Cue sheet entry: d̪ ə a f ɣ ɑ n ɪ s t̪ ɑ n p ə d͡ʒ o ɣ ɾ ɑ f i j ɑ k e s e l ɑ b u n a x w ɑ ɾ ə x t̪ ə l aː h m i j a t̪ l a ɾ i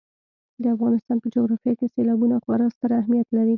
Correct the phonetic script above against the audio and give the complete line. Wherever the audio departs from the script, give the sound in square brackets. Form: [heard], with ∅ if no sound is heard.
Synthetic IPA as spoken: d̪ ə a f ɣ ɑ n ɪ s t̪ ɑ n p ə d͡ʒ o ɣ ɾ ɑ f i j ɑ k e s e l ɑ b u n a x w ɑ ɾ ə [s] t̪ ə [ɾ] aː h m i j a t̪ l a ɾ i